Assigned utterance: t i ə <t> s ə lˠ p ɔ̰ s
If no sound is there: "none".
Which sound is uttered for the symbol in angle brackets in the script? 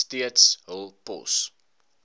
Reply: t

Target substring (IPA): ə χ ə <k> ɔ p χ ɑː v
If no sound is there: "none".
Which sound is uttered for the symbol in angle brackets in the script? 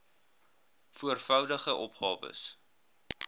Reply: ʔ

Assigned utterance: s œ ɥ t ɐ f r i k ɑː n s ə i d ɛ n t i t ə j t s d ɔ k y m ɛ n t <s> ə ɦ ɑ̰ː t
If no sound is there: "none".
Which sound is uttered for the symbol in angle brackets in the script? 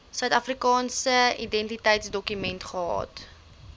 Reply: χ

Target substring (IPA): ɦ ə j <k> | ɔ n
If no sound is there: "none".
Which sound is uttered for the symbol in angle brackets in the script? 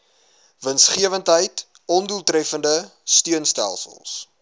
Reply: t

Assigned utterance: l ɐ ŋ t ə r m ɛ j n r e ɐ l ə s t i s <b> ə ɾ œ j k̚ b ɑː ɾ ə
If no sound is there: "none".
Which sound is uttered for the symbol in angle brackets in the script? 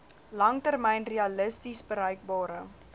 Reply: b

